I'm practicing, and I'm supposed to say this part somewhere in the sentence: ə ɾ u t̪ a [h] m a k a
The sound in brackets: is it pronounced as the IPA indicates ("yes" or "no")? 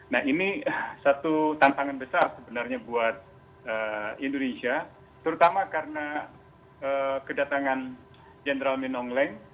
no